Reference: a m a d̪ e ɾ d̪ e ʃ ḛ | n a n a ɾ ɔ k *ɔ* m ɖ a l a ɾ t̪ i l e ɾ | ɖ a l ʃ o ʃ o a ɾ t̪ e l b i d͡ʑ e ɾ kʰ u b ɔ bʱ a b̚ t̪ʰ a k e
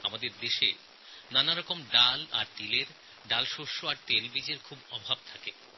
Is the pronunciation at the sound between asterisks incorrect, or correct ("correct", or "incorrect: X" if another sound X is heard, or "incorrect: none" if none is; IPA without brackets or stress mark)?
incorrect: o